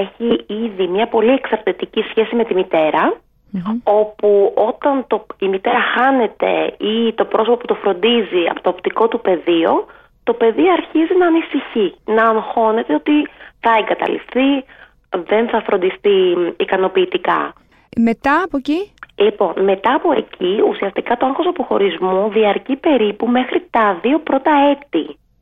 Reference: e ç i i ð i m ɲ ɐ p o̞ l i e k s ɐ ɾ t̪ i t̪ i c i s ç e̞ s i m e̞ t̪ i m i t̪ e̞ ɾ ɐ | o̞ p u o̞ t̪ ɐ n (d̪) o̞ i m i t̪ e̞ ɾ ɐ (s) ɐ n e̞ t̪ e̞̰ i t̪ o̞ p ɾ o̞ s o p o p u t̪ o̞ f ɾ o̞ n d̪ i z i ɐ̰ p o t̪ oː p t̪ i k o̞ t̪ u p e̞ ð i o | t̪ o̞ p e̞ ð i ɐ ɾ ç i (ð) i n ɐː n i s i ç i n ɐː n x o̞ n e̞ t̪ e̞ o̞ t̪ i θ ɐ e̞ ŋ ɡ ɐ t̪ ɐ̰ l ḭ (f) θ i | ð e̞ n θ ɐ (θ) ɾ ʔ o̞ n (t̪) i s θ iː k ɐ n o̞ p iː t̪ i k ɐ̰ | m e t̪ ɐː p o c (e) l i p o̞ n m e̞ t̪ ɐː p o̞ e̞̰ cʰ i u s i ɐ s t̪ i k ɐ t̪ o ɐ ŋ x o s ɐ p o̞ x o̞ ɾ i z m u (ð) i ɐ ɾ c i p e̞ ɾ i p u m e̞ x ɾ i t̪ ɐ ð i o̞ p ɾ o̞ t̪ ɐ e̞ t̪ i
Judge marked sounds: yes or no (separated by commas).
no, no, no, yes, no, no, no, yes